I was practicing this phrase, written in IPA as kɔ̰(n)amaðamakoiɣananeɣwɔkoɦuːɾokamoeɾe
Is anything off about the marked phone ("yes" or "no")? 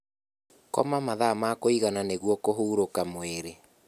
yes